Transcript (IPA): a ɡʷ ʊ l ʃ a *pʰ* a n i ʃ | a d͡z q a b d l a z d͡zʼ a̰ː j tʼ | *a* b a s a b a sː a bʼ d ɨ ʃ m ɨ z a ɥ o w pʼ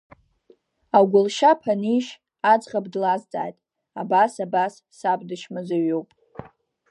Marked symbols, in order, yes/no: yes, yes

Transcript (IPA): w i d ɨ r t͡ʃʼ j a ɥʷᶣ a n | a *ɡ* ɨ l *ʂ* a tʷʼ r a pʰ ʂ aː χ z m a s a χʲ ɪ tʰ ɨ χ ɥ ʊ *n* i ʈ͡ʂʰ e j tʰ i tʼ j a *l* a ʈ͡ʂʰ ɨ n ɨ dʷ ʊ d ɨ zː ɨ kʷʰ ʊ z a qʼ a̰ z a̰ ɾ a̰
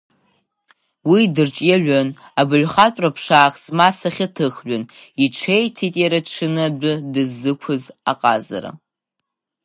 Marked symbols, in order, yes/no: no, no, yes, no

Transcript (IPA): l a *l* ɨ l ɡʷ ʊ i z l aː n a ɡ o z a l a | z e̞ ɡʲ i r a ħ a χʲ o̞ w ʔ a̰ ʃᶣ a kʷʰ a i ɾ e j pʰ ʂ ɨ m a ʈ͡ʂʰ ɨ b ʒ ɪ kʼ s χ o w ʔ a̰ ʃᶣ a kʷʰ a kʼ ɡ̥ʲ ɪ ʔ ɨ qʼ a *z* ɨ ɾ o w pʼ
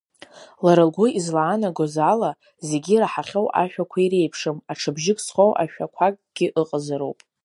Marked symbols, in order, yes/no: no, yes

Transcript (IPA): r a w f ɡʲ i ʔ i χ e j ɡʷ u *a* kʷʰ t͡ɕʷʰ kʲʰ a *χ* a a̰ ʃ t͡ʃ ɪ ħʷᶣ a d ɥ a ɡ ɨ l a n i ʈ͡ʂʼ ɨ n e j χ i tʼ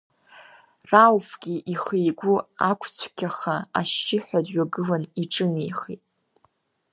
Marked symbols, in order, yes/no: yes, yes

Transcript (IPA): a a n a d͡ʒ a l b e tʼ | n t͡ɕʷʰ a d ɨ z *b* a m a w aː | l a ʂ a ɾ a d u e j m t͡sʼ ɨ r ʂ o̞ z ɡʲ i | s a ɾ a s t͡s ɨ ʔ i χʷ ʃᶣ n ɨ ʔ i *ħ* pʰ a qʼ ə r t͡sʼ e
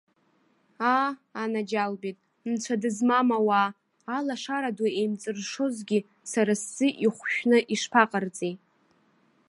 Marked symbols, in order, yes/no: no, no

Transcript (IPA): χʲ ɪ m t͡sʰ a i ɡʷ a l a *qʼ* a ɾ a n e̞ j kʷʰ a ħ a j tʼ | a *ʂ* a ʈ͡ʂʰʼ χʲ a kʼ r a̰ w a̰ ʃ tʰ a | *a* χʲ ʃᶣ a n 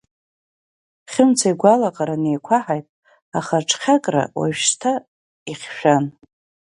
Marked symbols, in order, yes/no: yes, no, no

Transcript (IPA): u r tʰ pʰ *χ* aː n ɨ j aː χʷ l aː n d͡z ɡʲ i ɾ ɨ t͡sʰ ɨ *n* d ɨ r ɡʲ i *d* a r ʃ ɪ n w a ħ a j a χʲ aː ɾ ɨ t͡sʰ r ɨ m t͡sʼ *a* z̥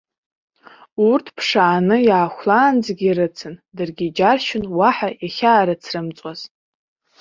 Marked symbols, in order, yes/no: no, yes, no, yes

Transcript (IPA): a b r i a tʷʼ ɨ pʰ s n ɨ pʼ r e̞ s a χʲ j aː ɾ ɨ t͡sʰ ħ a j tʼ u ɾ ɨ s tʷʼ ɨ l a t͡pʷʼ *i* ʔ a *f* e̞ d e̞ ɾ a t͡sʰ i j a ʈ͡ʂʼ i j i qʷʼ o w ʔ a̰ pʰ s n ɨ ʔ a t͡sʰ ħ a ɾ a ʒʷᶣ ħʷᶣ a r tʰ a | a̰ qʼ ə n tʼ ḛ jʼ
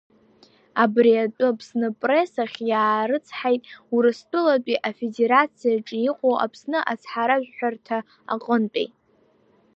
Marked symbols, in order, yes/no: yes, yes

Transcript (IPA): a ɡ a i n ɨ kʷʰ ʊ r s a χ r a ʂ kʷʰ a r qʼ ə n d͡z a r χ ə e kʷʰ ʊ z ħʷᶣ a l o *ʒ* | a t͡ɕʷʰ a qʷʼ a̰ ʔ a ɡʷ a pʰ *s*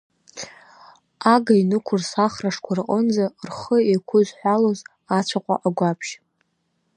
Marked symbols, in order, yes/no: no, no

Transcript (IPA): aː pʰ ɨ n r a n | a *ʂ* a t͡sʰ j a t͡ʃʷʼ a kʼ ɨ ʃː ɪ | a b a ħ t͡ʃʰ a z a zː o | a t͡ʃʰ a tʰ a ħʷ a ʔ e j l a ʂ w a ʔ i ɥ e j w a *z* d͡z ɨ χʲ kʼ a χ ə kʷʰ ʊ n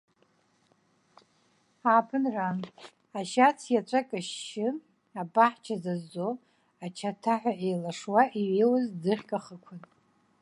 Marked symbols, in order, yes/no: no, yes

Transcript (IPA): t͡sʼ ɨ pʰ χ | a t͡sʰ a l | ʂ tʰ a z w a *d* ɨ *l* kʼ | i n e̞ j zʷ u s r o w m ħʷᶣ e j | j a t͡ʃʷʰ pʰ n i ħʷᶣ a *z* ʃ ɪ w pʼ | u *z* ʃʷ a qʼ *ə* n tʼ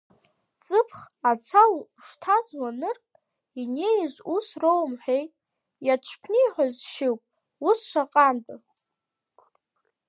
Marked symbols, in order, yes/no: no, no, yes, no, no

